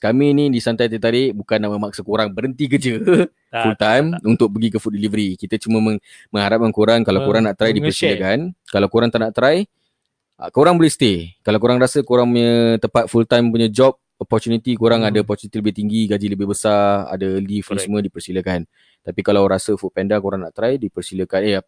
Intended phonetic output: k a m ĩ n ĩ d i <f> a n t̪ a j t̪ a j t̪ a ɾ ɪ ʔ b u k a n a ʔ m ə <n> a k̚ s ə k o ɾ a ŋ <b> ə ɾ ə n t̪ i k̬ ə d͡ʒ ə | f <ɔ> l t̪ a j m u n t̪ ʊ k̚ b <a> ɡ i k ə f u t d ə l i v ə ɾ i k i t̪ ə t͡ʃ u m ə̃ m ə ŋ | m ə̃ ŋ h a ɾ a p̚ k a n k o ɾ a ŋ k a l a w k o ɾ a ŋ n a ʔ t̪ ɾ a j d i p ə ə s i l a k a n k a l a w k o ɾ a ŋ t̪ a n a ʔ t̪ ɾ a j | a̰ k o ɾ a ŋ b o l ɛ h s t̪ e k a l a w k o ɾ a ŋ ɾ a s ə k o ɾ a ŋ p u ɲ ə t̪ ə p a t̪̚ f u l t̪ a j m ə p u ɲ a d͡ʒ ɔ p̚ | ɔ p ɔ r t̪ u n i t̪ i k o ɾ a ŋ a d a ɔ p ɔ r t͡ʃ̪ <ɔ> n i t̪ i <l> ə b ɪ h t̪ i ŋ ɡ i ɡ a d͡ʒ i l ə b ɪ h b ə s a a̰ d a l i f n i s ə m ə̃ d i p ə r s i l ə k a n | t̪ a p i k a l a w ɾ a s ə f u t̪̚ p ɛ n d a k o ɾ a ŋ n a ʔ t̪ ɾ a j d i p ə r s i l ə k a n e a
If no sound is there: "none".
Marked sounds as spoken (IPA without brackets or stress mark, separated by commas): s, m, b, u, ə, u, l